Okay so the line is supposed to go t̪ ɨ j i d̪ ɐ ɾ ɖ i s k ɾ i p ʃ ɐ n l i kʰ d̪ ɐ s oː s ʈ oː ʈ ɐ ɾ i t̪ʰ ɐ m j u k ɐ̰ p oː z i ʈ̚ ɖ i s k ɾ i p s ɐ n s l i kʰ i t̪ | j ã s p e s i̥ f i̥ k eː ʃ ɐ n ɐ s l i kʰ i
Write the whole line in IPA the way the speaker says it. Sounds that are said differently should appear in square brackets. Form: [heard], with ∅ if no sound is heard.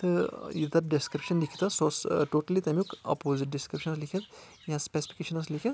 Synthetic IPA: t̪ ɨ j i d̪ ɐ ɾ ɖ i s k ɾ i p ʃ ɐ n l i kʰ [t̪] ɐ s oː s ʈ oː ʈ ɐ [l] i [t̪] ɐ m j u k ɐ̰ p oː z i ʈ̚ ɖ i s k ɾ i p [ʃ] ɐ n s l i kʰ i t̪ | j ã s p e s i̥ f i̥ k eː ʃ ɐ n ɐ s l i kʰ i